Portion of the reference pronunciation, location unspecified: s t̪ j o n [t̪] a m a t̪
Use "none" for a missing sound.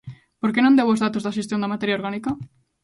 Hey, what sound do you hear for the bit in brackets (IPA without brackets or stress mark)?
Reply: d̪